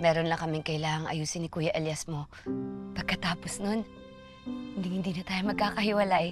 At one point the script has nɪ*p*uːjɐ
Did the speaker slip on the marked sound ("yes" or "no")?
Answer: yes